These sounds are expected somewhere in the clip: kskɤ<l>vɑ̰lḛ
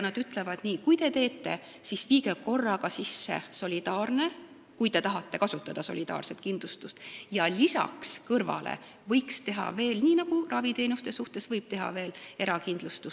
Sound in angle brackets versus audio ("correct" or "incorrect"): incorrect